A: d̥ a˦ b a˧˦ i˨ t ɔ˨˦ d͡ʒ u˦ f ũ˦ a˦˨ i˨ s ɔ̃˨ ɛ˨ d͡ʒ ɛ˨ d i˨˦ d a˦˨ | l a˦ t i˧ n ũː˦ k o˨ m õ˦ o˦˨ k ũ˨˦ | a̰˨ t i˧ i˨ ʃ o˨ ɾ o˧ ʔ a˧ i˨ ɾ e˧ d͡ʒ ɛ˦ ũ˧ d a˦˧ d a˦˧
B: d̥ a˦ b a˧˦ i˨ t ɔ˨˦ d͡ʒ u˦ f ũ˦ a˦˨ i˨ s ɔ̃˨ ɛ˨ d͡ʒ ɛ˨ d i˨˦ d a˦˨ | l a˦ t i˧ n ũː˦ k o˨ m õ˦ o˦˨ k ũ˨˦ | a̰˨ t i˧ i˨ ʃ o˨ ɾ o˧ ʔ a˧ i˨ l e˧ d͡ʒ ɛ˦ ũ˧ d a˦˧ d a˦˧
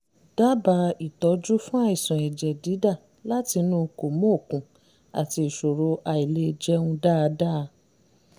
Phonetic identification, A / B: B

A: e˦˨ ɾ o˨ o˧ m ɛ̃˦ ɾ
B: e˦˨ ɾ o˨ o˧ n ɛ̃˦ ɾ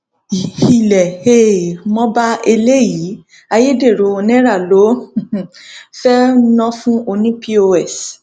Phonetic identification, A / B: B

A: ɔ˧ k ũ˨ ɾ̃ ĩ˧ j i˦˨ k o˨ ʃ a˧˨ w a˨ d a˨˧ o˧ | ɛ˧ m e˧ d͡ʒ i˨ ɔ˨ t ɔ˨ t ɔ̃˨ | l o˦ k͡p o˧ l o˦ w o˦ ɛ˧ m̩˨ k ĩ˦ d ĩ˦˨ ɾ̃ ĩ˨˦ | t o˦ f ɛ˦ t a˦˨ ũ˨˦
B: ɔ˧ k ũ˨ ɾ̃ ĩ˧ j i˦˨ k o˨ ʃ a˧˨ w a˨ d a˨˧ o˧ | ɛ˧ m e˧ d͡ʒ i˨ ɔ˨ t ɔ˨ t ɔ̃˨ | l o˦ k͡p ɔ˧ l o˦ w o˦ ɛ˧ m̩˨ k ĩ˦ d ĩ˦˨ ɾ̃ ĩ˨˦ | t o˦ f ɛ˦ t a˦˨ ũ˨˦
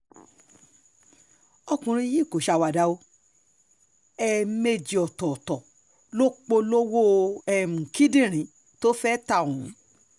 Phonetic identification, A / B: A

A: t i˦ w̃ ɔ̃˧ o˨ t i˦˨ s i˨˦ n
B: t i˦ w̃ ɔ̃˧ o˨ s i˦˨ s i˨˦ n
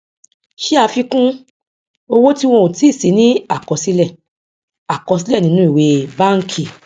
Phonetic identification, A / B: A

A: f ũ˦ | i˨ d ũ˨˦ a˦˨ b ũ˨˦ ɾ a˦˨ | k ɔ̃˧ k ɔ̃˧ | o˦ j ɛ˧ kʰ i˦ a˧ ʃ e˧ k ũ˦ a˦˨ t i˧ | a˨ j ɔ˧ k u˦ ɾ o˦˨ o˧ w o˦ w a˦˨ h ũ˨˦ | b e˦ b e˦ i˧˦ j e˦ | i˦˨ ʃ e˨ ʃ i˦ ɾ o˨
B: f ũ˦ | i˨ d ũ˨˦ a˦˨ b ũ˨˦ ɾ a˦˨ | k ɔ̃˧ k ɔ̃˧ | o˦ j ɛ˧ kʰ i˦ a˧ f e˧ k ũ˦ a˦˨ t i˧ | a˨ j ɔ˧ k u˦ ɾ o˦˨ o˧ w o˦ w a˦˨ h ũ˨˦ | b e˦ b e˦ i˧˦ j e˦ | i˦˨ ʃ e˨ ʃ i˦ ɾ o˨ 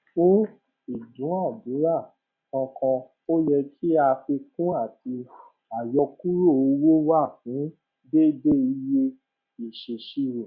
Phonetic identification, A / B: B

